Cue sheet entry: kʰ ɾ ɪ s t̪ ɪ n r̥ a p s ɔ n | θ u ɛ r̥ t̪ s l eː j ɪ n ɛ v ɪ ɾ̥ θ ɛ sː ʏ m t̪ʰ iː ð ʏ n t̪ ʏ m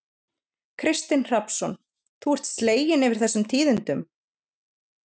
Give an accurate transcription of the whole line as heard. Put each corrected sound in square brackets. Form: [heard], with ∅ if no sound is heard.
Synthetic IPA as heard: kʰ ɾ ɪ s t̪ ɪ n r̥ a p s ɔ n | θ u ɛ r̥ t̪ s l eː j ɪ n ɛ v ɪ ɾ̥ θ ɛ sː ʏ m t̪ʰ iː ð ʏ n t̪ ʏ m

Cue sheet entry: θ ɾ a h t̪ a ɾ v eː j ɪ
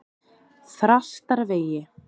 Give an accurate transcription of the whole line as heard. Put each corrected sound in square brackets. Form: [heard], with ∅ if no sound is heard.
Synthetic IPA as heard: θ ɾ a [s] t̪ a ɾ v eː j ɪ

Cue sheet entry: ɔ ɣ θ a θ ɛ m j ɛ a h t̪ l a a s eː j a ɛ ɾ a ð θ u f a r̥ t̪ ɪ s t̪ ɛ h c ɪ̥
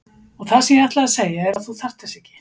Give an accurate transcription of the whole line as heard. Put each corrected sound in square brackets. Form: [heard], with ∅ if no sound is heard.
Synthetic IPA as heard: ɔ ɣ θ a [s] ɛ m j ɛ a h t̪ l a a s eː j a ɛ ɾ a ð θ u [θ] a r̥ t̪ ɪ s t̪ ɛ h c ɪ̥

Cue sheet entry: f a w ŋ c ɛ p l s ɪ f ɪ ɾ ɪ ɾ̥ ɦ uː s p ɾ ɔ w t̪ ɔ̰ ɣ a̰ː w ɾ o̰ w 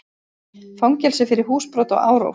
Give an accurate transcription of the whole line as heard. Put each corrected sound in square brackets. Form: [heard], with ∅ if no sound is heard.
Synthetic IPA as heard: f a w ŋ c ɛ [∅] l s ɪ f ɪ ɾ ɪ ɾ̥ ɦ uː s p ɾ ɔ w t̪ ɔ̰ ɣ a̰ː w ɾ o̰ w

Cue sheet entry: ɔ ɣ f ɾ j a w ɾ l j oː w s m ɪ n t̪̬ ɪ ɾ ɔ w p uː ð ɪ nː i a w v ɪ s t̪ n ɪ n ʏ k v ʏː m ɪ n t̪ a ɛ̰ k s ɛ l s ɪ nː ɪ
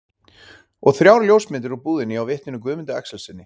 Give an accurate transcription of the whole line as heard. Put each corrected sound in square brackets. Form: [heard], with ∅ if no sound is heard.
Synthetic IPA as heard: ɔ ɣ [θ] ɾ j a w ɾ l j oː w s m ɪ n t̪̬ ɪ ɾ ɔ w p uː ð ɪ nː [ɪ] a w v ɪ [h] t̪ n ɪ n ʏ k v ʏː m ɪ n t̪ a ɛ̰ k s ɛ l s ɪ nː ɪ

